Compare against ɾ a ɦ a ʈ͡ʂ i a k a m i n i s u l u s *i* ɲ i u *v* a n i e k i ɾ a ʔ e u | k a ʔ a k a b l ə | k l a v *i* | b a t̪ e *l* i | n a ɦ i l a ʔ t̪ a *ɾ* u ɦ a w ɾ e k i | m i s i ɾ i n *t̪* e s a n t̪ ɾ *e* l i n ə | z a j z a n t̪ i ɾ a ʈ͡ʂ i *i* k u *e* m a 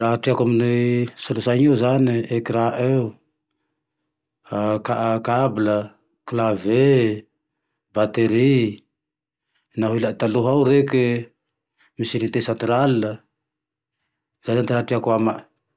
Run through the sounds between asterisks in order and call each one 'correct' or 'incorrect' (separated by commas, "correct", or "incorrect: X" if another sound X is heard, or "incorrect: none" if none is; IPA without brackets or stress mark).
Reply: incorrect: a, incorrect: z, incorrect: e, incorrect: ɾ, incorrect: l, correct, incorrect: a, incorrect: a, incorrect: a